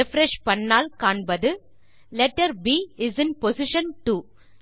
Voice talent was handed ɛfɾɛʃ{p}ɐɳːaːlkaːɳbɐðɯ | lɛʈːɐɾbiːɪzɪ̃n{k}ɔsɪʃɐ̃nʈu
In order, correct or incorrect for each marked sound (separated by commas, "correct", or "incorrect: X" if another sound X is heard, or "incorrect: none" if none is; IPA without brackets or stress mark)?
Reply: correct, incorrect: p